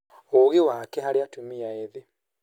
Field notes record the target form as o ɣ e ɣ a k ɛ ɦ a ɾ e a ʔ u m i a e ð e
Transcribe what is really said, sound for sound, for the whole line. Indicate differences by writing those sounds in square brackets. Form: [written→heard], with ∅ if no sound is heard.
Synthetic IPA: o ɣ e [ɣ→w] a k ɛ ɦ a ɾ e a [ʔ→t] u m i a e ð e